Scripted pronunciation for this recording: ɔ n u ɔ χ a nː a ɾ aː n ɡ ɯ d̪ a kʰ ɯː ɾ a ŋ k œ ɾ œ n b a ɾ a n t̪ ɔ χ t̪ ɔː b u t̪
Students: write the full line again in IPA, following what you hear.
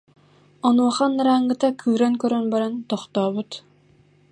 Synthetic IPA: ɔ n u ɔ χ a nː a ɾ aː ŋ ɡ ɯ t̪ a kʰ ɯː ɾ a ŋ k œ ɾ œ n b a ɾ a n t̪ ɔ χ t̪ ɔː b u t̪